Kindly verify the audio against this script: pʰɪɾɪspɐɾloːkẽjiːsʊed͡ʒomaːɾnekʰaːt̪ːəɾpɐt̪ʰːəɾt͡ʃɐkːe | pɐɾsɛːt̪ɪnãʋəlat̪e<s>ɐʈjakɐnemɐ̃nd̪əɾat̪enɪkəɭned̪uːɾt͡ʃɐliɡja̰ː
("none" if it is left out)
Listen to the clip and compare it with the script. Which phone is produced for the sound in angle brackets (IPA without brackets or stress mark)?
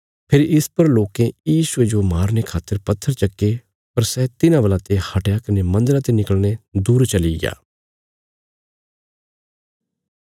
h